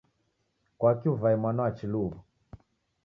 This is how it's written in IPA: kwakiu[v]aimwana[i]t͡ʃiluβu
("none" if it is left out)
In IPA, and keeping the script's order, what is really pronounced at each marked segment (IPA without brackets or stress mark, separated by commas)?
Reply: v, a